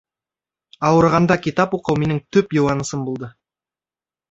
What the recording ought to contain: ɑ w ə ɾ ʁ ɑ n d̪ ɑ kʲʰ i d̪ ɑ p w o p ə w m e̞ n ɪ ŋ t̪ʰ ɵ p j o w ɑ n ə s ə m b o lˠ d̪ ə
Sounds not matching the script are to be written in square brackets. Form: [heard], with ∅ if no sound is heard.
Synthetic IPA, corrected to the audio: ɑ w ə ɾ ʁ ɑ n d̪ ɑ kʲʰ i [t̪] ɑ p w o [q] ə w m e̞ n ɪ ŋ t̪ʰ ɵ p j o w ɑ n ə s ə m b o lˠ d̪ ə